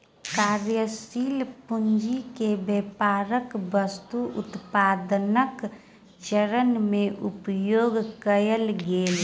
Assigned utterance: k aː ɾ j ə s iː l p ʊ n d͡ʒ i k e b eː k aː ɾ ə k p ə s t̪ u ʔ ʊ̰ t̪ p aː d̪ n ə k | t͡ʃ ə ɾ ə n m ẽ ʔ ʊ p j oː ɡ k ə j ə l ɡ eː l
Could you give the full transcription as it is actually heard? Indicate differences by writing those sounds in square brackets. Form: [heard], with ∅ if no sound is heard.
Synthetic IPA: k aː ɾ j ə s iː l p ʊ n d͡ʒ i k e b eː [p] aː ɾ ə k [b] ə s t̪ u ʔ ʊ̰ t̪ p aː d̪ n ə k | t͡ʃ ə ɾ ə n m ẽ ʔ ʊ p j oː ɡ k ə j ə l ɡ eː l